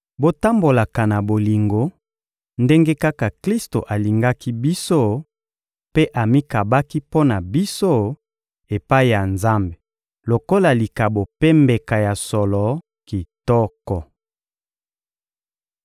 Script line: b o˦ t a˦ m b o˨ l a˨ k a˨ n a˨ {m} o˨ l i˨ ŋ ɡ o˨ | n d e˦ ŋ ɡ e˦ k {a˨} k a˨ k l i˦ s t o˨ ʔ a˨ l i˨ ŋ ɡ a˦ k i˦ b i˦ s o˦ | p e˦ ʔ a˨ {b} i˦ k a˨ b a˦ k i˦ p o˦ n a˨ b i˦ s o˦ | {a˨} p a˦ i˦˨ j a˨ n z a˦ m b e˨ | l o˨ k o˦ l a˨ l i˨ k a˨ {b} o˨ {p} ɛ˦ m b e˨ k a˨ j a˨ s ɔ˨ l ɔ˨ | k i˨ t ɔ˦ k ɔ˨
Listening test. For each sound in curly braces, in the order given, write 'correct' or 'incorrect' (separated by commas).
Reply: incorrect, incorrect, incorrect, incorrect, correct, correct